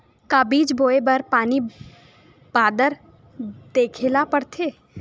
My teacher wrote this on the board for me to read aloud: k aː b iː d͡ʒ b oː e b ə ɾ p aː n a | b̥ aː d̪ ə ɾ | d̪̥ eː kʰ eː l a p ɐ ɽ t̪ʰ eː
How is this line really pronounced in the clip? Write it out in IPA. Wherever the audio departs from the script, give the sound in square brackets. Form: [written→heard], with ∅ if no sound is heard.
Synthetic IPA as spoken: k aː b iː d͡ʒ b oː e b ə ɾ p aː n [a→i] | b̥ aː d̪ ə ɾ | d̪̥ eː kʰ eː l a p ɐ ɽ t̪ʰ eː